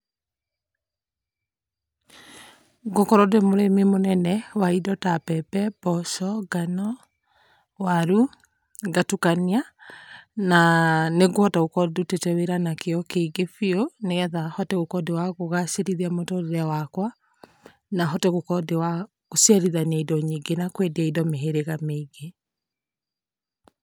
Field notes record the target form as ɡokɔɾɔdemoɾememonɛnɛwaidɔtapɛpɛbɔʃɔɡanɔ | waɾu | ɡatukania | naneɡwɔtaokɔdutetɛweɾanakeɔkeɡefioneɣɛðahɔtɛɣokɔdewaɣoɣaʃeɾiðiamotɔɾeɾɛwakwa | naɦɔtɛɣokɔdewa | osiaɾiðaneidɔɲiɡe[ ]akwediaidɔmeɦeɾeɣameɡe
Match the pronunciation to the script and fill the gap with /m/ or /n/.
n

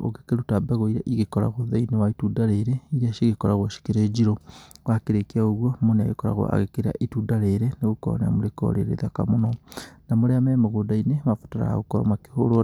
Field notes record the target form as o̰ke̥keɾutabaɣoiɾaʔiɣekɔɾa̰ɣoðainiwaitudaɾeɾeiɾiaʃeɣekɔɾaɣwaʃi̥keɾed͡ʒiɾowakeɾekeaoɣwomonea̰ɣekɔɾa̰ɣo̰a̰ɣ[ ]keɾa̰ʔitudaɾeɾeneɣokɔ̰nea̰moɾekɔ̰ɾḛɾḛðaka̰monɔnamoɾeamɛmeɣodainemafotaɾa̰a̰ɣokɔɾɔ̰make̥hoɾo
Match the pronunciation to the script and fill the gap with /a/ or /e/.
e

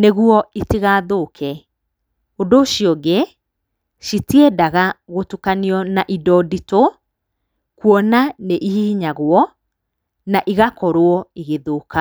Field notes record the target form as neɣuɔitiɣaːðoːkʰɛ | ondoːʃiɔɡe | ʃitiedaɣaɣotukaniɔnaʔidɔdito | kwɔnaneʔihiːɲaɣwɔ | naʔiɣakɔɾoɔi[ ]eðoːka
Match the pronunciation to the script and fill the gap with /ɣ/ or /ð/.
ɣ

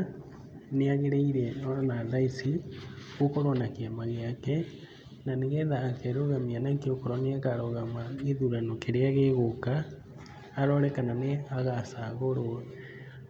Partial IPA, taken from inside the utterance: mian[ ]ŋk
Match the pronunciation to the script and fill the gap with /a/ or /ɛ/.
a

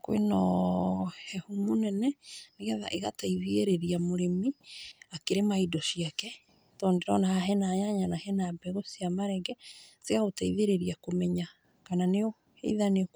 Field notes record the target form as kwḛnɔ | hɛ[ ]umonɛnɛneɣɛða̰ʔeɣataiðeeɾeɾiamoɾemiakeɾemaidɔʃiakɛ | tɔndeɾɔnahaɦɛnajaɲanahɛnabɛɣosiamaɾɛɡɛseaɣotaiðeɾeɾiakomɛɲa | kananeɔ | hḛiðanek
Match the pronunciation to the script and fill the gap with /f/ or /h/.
h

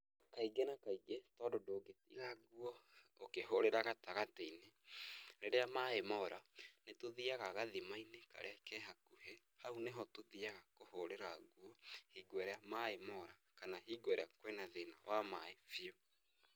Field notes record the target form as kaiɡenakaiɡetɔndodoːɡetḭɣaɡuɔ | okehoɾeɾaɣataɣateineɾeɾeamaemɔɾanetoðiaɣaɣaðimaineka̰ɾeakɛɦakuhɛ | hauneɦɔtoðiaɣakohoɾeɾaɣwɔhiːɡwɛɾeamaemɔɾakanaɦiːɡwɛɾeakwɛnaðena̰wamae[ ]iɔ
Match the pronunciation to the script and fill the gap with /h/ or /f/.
f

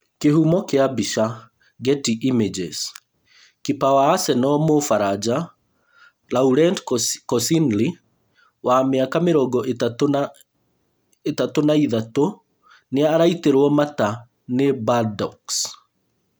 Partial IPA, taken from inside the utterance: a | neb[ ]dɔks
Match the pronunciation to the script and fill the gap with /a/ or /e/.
a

